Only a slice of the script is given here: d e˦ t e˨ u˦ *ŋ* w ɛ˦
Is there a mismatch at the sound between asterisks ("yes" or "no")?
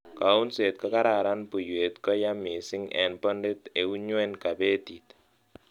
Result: yes